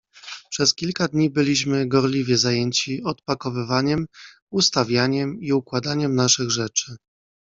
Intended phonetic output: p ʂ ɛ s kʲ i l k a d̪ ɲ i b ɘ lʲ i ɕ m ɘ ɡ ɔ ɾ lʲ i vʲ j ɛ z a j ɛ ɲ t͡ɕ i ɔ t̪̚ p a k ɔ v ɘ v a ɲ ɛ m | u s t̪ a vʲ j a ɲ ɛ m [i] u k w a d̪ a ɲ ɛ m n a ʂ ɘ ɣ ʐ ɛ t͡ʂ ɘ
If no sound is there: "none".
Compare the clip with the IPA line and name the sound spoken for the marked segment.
i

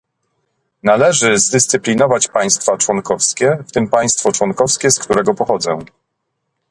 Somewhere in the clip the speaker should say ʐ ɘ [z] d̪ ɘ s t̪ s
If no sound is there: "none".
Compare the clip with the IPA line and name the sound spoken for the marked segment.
z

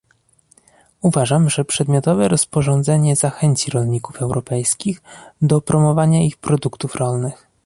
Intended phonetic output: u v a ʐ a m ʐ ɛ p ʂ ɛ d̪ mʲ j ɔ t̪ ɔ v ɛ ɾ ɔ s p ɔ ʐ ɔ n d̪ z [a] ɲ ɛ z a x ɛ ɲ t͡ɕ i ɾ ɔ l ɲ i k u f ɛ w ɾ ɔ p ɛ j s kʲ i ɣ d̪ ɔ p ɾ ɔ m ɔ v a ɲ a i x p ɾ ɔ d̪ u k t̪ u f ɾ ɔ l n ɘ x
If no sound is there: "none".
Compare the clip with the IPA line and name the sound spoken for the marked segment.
ɛ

